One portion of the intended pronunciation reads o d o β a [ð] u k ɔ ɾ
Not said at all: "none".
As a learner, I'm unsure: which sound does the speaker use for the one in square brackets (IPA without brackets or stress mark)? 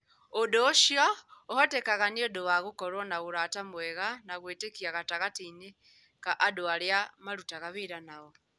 ɣ